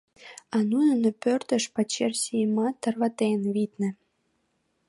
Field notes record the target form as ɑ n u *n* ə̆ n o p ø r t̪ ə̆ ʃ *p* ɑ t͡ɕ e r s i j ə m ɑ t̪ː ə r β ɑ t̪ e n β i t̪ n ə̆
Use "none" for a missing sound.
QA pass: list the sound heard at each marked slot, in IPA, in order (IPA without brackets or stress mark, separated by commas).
n, p